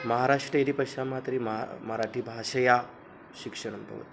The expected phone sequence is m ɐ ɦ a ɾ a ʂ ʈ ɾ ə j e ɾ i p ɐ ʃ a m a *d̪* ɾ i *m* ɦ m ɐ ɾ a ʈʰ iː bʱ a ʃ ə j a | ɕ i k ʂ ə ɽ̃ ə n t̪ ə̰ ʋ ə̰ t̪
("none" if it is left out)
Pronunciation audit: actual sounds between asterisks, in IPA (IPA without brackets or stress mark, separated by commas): t̪, m